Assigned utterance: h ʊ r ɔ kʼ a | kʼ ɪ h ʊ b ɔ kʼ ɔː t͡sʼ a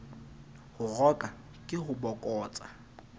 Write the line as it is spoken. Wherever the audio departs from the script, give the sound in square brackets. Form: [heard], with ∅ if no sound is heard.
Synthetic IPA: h ʊ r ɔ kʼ a | kʼ ɪ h ʊ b ɔ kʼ ɔː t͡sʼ a